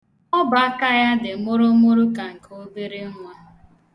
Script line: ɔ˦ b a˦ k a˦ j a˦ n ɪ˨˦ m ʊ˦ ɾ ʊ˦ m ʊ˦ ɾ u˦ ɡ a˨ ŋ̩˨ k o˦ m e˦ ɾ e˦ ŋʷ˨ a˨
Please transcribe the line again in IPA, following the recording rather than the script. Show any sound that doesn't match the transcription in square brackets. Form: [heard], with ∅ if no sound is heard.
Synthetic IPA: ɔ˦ b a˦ k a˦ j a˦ [d] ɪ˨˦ m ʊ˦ ɾ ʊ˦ m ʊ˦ ɾ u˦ [k] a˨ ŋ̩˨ k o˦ [b] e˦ ɾ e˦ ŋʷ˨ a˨